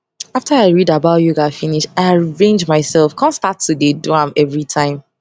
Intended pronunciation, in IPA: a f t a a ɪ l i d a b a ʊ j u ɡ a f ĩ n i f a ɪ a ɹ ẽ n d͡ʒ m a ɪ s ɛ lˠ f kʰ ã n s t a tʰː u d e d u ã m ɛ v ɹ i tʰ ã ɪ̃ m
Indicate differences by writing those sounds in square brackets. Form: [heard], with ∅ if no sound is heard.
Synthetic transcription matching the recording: a f t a a ɪ [ɹ] i d a b a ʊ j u ɡ a f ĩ n i [ʃ] a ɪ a ɹ ẽ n d͡ʒ m a ɪ s ɛ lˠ f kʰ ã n s t a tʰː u d e d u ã m ɛ v ɹ i tʰ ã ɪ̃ m